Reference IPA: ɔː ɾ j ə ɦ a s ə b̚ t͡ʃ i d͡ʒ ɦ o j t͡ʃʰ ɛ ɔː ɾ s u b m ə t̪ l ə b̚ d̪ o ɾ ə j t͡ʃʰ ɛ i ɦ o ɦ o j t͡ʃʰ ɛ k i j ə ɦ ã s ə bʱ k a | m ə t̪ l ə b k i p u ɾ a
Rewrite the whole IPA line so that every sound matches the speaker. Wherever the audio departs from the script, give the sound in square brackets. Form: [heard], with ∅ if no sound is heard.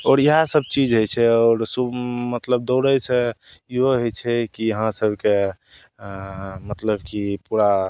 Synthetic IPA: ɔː ɾ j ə ɦ a s ə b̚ t͡ʃ i d͡ʒ ɦ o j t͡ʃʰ ɛ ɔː ɾ s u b m ə t̪ l ə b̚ d̪ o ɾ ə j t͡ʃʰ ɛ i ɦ o ɦ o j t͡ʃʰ ɛ k i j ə ɦ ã s ə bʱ k [e] | m ə t̪ l ə b k i p u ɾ a